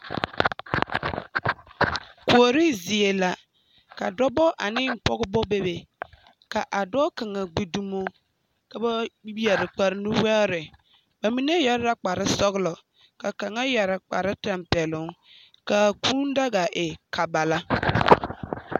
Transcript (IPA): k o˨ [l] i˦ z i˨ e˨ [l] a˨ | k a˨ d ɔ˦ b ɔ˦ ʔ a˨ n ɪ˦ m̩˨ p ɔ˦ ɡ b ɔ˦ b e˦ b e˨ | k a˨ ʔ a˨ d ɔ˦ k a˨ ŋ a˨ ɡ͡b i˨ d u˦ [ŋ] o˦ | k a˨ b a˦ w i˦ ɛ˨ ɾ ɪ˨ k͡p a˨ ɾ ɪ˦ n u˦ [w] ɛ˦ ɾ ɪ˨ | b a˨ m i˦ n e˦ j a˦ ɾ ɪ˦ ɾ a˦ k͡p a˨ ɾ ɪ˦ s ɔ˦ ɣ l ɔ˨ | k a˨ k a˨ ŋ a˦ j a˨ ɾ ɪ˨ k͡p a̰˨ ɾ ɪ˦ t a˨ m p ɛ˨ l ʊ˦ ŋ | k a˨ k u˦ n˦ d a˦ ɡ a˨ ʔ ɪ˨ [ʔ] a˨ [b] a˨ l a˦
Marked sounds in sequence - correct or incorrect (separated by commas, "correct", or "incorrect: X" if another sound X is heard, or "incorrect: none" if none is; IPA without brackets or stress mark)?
incorrect: ɾ, correct, incorrect: m, correct, incorrect: k, correct